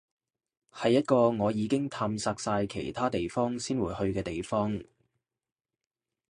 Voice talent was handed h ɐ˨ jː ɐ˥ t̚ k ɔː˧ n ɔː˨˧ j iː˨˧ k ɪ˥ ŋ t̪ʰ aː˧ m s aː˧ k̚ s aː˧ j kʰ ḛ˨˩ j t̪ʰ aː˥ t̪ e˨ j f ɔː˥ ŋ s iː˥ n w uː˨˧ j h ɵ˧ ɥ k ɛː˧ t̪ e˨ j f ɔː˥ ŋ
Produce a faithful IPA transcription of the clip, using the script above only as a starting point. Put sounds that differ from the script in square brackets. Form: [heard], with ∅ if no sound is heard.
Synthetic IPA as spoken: h ɐ˨ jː ɐ˥ t̚ k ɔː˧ [ŋ] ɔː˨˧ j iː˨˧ k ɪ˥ ŋ t̪ʰ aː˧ m s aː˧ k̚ s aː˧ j kʰ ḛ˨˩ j t̪ʰ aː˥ t̪ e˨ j f ɔː˥ ŋ s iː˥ n w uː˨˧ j h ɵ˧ ɥ k ɛː˧ t̪ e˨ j f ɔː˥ ŋ